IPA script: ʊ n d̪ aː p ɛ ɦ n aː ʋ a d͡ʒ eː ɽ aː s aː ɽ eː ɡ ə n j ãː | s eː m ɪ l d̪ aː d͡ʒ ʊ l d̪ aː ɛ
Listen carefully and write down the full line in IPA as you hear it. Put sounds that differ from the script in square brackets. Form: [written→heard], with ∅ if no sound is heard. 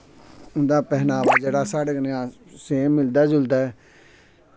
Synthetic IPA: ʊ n d̪ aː p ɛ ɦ n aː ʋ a d͡ʒ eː ɽ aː s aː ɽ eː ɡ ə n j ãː | s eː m ɪ l d̪ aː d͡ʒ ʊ l d̪ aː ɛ